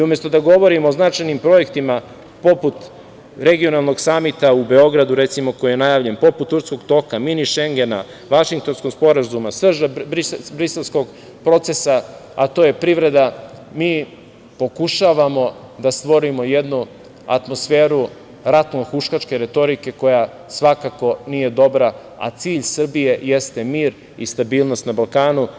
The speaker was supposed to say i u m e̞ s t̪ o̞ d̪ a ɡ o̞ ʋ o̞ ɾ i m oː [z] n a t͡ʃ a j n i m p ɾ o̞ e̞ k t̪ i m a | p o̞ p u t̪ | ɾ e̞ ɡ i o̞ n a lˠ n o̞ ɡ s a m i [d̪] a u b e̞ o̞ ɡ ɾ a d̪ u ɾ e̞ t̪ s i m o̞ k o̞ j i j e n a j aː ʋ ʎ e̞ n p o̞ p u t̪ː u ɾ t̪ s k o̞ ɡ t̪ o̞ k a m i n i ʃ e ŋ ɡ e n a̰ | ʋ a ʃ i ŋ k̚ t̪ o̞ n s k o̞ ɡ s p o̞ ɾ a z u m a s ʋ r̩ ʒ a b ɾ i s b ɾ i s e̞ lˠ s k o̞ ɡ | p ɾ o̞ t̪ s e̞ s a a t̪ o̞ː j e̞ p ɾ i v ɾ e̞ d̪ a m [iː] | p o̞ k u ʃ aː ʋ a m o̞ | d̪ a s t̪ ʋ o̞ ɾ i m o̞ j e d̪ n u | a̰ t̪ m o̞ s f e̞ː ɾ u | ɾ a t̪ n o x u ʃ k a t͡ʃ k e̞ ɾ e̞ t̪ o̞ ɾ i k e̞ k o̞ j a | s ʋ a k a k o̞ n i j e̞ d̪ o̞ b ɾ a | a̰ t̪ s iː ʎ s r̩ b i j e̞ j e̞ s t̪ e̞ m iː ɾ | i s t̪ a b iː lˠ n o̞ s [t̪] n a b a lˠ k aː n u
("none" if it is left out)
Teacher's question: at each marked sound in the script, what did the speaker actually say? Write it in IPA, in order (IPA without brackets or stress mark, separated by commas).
z, t̪, iː, t̪